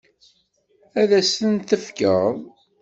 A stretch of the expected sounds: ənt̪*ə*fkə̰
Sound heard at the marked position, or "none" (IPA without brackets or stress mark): ə